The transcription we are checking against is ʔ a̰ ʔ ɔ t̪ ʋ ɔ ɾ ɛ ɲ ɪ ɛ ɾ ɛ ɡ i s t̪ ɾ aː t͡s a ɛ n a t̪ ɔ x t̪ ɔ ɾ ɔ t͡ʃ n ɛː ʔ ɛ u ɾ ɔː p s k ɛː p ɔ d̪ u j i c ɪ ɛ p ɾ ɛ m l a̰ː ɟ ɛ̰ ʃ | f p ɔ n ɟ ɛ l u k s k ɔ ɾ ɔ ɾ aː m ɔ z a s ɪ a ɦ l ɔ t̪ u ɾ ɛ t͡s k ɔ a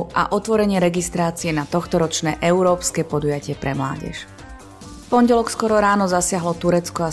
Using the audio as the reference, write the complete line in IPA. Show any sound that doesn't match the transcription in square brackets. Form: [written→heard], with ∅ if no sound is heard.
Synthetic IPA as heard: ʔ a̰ ʔ ɔ t̪ ʋ ɔ ɾ ɛ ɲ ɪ ɛ ɾ ɛ ɡ i s t̪ ɾ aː t͡s [a→i] ɛ n a t̪ ɔ x t̪ ɔ ɾ ɔ t͡ʃ n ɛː ʔ ɛ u ɾ ɔː p s k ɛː p ɔ d̪ u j [i→a] c ɪ ɛ p ɾ ɛ m l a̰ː ɟ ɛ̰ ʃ | f p ɔ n ɟ ɛ l [u→ɔ] k s k ɔ ɾ ɔ ɾ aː [m→n] ɔ z a s ɪ a ɦ l ɔ t̪ u ɾ ɛ t͡s k ɔ a